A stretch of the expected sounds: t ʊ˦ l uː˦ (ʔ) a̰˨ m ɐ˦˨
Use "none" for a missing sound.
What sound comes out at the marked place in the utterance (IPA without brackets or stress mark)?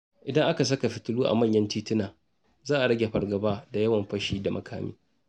ʔ